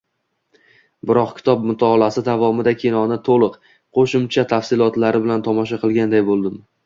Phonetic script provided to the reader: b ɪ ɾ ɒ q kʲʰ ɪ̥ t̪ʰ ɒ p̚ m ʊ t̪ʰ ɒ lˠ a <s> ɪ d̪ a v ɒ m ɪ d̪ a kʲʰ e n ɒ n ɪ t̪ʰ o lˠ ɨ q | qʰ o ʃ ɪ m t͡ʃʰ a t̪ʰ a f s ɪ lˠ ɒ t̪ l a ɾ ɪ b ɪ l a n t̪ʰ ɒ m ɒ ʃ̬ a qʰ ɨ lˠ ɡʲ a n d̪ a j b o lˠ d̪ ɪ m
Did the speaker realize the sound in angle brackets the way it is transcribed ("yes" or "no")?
yes